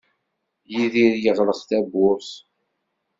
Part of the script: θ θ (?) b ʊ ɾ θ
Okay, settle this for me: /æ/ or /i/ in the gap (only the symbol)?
æ